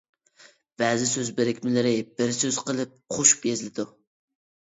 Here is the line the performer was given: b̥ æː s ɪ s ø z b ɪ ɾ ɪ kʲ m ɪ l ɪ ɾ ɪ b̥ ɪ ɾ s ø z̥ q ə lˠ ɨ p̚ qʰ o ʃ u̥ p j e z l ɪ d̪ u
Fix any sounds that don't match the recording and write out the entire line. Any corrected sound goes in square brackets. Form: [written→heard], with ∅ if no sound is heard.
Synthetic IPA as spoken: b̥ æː [s→z] ɪ s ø z b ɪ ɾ ɪ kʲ m ɪ l ɪ ɾ ɪ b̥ ɪ ɾ s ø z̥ q ə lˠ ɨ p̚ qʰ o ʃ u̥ p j e z l ɪ d̪ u

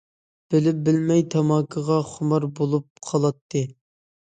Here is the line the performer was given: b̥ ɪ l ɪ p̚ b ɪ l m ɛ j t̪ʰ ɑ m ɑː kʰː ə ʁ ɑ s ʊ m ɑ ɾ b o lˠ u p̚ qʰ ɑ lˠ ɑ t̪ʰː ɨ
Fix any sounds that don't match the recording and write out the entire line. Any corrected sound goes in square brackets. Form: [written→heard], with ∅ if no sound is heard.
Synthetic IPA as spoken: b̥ ɪ l ɪ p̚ b ɪ l m ɛ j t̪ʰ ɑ m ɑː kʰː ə ʁ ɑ [s→χ] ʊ m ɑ ɾ b o lˠ u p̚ qʰ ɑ lˠ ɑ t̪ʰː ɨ

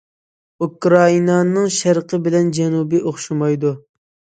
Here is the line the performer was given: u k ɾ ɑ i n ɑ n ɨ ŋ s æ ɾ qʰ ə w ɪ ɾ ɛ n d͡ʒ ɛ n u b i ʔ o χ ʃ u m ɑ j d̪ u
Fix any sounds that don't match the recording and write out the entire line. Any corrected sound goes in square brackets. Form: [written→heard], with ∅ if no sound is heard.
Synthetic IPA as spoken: u k ɾ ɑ i n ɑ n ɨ ŋ [s→ʃ] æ ɾ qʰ ə [w→b] ɪ [ɾ→l] ɛ n d͡ʒ ɛ n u b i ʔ o χ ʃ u m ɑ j d̪ u

